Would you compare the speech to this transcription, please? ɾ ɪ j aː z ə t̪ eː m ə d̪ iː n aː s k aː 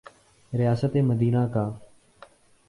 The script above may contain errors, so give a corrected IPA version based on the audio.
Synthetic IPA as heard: ɾ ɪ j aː s ə t̪ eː m ə d̪ iː n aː k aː